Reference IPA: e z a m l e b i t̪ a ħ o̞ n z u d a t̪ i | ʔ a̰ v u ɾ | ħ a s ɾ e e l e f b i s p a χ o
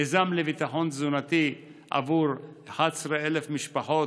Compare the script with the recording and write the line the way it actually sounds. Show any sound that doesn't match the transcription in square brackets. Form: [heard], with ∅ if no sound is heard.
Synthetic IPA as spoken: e z a m l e [v] i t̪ a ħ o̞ n z u [n] a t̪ i | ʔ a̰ v u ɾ | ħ a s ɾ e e l e f [m] i [ʃ] p a [ħ] o